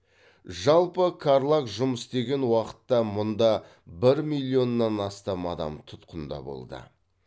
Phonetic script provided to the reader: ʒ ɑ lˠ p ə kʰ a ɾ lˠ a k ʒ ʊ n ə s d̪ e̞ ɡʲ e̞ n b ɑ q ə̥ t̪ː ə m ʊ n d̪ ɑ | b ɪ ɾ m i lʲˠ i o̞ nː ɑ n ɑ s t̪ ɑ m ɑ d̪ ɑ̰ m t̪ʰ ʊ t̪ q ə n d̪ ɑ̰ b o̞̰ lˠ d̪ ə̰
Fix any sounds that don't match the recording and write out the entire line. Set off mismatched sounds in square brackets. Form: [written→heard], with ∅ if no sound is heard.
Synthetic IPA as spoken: ʒ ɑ lˠ p ə kʰ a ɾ lˠ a k ʒ ʊ [n→m] ə s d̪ e̞ ɡʲ e̞ n [b→w] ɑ q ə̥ t̪ː [ə→ɑ] m ʊ n d̪ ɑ | b ɪ ɾ m i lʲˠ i o̞ nː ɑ n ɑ s t̪ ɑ m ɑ d̪ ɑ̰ m t̪ʰ ʊ t̪ q ə n d̪ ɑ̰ b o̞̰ lˠ d̪ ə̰